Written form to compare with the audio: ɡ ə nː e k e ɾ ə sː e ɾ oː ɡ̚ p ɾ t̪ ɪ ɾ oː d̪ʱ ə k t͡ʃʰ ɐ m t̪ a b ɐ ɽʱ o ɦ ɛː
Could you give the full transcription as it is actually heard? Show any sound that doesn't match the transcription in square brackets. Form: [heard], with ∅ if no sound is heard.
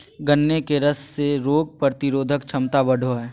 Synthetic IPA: ɡ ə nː e k e ɾ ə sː e ɾ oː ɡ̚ p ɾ t̪ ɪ ɾ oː d̪ʱ ə k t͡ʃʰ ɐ m t̪ a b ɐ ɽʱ o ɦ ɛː